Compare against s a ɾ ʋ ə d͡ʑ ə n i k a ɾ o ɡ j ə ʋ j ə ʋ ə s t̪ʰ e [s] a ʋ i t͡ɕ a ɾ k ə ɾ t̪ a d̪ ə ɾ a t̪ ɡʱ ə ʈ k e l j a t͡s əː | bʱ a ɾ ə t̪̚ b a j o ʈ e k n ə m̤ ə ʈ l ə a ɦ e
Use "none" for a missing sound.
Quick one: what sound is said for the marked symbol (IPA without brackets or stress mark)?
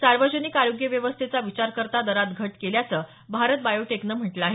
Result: t͡s